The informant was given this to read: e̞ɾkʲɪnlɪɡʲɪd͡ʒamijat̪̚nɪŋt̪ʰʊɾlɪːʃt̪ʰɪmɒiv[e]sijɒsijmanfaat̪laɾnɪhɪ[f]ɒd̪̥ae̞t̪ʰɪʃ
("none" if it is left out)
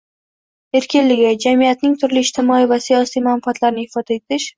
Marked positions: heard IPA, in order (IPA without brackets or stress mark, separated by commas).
a, f